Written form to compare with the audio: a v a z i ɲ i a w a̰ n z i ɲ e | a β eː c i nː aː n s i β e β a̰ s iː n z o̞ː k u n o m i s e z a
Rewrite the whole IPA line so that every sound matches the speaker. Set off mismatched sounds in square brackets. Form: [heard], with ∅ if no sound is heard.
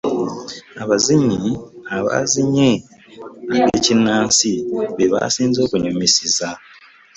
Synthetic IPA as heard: a [β] a z i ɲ i a [β] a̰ [∅] z i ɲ e | a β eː c i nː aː n s i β e β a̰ s iː n z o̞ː k u [ɲ] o m i s [i] z a